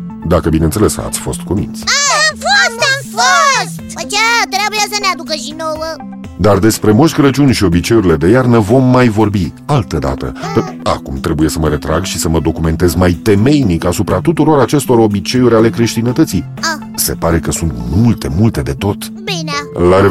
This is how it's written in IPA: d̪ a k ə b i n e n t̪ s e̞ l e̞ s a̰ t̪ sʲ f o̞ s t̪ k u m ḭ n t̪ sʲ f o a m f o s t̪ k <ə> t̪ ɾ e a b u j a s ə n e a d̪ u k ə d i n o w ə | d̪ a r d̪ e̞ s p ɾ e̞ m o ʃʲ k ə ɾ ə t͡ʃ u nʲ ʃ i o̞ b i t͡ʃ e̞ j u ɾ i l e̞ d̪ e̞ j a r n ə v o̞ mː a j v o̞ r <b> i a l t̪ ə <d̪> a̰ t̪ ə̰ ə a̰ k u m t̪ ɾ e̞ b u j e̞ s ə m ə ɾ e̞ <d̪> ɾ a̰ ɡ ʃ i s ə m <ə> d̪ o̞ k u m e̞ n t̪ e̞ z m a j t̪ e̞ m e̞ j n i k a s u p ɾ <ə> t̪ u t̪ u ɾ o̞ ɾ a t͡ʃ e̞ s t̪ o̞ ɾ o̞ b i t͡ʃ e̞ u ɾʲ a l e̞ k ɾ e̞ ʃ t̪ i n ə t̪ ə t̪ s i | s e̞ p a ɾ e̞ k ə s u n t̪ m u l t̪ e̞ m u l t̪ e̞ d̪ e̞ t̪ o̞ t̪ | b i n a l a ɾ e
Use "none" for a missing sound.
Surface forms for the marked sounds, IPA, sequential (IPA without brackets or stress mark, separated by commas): a, b, d̪, t̪, ə, a